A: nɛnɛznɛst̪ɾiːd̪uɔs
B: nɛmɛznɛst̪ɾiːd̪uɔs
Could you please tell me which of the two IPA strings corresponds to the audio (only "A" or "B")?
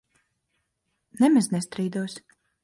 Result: B